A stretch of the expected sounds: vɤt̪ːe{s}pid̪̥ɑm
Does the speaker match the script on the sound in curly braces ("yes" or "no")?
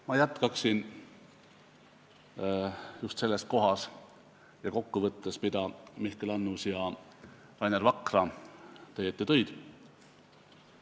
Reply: yes